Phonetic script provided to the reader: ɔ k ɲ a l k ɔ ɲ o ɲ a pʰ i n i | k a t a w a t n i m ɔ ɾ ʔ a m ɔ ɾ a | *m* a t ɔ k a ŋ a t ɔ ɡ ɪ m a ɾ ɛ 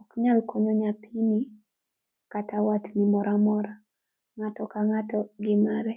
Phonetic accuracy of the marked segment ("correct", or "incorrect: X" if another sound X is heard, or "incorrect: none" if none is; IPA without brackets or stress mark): incorrect: ŋ